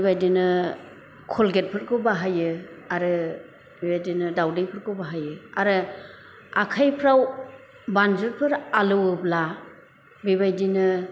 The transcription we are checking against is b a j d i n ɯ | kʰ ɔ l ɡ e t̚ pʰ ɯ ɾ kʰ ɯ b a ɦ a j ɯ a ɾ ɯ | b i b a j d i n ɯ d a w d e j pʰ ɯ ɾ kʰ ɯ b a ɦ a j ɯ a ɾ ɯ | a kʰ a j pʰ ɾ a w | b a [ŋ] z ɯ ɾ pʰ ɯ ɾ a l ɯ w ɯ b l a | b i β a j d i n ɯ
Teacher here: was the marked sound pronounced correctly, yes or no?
no